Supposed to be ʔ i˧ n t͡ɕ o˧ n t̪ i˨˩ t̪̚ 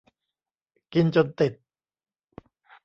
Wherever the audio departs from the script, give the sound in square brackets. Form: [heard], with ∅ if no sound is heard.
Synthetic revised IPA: [k] i˧ n t͡ɕ o˧ n t̪ i˨˩ t̪̚